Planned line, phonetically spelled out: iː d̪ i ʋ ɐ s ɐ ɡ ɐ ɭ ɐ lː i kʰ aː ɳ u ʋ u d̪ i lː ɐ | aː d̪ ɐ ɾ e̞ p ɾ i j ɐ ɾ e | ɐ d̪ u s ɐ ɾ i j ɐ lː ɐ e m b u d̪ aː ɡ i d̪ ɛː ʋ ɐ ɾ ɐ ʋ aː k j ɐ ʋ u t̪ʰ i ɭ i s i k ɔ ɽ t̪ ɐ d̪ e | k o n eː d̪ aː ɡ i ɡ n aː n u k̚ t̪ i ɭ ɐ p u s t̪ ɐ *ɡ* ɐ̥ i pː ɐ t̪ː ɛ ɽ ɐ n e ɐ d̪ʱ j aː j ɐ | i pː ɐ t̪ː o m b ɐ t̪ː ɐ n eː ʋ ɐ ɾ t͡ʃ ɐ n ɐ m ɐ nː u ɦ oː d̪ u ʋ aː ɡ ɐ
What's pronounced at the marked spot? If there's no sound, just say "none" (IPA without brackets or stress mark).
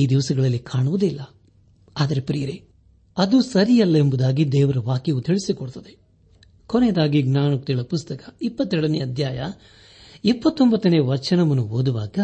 k